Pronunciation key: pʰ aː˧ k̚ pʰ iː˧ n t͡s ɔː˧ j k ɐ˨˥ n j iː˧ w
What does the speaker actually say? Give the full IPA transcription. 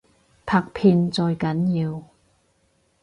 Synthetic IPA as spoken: pʰ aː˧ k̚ pʰ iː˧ n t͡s ɔː˧ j k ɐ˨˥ n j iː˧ w

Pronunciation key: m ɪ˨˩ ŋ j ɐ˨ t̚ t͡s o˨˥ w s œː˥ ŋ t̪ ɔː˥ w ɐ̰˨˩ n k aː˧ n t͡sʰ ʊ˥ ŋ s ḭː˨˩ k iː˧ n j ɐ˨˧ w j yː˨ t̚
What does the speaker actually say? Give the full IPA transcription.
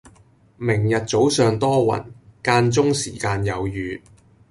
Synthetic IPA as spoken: m ɪ˨˩ ŋ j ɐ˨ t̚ t͡s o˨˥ w s œː˨ ŋ t̪ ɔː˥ w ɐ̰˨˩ n k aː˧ n t͡s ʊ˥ ŋ s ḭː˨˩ k aː˧ n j ɐ˨˧ w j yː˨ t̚

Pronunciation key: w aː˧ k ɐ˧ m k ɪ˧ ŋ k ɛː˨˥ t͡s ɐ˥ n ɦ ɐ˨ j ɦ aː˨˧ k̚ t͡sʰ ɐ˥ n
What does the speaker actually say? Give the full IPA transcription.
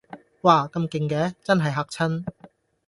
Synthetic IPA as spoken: w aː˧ k ɐ˧ m k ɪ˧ ŋ k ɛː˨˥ t͡s ɐ˥ n ɦ ɐ˨ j ɦ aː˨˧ k̚ t͡sʰ ɐ˥ n

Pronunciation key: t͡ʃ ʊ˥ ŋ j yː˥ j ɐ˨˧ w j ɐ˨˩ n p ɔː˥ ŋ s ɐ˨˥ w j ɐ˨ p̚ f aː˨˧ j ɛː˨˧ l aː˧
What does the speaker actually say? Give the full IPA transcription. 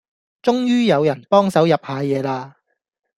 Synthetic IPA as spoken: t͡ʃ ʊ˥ ŋ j yː˥ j ɐ˨˧ w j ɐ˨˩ n p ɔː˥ ŋ s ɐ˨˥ w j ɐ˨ p̚ h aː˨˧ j ɛː˨˧ l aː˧

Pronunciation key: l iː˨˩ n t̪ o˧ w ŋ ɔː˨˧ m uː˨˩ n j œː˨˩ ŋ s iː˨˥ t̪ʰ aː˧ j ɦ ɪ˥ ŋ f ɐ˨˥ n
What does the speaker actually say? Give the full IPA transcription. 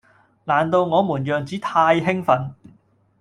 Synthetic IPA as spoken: l aː˨˩ n t̪ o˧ w ŋ ɔː˨˧ m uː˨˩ n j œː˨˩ ŋ t͡s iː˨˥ t̪ʰ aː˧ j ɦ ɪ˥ ŋ f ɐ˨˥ n

